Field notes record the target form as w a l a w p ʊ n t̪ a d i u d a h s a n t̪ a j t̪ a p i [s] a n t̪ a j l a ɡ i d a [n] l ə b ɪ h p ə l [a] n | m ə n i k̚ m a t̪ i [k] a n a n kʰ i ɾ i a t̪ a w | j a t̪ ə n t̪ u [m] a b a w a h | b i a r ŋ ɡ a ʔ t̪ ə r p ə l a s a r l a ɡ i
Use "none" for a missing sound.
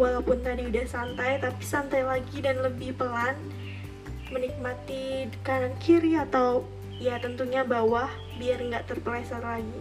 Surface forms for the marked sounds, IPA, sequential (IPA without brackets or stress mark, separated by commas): s, n, a, k, ɲ